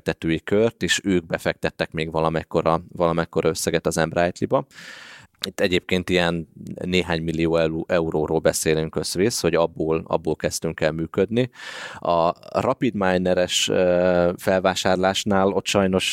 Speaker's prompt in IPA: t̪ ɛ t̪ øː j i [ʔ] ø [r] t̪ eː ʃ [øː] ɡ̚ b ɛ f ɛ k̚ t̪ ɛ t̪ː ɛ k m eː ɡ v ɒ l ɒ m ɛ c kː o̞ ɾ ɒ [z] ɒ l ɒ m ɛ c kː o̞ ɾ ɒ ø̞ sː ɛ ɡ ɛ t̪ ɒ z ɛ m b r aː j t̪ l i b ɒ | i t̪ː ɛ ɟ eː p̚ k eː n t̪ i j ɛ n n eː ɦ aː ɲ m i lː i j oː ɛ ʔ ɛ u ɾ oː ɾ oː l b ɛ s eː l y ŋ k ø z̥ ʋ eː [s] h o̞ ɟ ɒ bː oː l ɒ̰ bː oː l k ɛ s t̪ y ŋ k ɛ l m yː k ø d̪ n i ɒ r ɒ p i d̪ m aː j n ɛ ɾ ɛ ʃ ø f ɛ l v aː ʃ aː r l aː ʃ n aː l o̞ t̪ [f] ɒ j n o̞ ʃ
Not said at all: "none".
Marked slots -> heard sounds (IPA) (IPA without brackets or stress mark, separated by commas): k, r, øː, v, s, ʃ